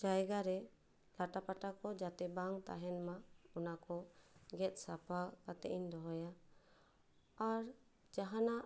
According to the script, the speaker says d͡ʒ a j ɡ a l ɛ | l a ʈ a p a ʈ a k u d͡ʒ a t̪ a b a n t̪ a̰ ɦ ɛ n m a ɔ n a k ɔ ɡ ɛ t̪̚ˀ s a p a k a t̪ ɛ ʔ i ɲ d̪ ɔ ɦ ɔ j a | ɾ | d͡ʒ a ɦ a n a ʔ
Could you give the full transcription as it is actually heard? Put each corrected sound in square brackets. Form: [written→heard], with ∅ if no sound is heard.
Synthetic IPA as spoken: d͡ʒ a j ɡ a [l→ɾ] ɛ | l a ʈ a p a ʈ a k [u→ɔ] d͡ʒ a t̪ [a→ɛ] b a [n→ŋ] t̪ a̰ ɦ ɛ n m a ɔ n a k ɔ ɡ ɛ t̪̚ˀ s a p a k a t̪ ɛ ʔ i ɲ d̪ ɔ ɦ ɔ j a | ɾ | d͡ʒ a ɦ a n a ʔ